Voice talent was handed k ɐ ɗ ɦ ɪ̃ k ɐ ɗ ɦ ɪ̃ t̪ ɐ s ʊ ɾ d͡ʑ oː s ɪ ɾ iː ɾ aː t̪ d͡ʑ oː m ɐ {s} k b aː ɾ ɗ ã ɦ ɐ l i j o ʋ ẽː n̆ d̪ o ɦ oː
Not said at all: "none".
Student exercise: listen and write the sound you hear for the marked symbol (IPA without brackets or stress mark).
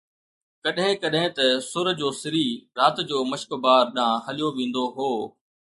ʃ